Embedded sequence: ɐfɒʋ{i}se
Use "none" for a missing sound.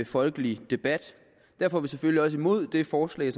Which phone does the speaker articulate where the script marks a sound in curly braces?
i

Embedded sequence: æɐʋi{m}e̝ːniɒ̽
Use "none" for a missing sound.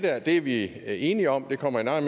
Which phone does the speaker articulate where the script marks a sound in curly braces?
none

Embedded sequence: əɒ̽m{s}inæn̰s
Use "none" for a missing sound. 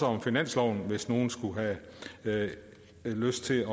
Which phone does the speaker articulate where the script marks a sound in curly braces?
f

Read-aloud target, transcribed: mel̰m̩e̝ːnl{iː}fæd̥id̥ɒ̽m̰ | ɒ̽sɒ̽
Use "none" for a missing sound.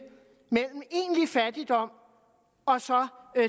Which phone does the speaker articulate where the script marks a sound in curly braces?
i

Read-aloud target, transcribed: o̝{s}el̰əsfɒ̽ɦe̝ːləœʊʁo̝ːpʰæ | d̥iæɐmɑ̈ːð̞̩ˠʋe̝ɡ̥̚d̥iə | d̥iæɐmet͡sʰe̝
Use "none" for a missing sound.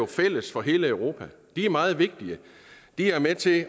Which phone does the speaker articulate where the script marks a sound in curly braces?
f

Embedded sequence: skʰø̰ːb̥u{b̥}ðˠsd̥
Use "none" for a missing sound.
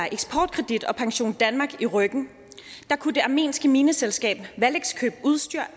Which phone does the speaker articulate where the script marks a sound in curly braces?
none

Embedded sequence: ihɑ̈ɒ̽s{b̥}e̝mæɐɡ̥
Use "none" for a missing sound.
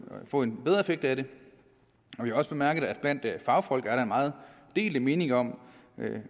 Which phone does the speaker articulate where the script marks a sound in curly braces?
b̥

